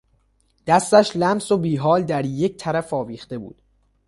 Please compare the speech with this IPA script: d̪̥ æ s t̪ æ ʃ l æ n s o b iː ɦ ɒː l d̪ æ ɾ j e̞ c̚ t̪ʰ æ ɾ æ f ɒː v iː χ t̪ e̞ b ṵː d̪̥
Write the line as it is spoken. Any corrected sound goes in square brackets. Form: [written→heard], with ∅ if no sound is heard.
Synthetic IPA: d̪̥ æ s t̪ æ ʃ l æ [n→m] s o b iː ɦ ɒː l d̪ æ ɾ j e̞ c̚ t̪ʰ æ ɾ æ f ɒː v iː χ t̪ e̞ b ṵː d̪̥